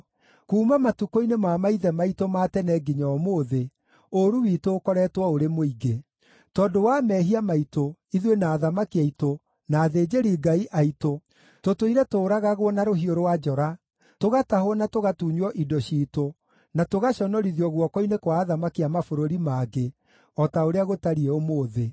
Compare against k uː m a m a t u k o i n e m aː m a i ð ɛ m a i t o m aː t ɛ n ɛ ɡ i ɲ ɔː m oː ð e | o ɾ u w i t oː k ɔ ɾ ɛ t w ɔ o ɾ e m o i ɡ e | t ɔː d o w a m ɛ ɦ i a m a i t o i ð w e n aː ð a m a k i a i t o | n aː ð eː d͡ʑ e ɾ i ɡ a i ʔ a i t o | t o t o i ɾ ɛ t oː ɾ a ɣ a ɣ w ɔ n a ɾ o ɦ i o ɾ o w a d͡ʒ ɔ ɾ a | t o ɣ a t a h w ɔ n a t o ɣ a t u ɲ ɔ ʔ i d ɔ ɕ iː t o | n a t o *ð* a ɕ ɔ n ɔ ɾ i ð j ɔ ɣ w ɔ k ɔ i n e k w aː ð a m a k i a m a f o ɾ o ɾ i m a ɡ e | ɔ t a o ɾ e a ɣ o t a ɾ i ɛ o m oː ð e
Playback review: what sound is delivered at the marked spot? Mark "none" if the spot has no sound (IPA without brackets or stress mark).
ɣ